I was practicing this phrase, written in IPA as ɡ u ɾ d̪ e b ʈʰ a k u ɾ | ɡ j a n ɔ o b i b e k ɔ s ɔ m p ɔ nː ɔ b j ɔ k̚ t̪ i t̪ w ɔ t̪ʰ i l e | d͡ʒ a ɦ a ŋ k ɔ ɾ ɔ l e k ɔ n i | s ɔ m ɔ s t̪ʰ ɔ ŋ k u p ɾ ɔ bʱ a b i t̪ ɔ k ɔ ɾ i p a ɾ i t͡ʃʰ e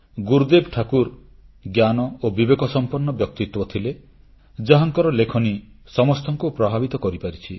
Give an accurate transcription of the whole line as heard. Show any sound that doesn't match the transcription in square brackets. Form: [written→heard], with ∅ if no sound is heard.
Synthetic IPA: ɡ u ɾ d̪ e b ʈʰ a k u ɾ | ɡ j a n ɔ o b i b e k ɔ s ɔ m p ɔ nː ɔ b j ɔ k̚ t̪ i t̪ w ɔ t̪ʰ i l e | d͡ʒ a ɦ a ŋ k ɔ ɾ ɔ l e [k→kʰ] ɔ n i | s ɔ m ɔ s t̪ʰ ɔ ŋ k u p ɾ ɔ bʱ a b i t̪ ɔ k ɔ ɾ i p a ɾ i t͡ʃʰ [e→i]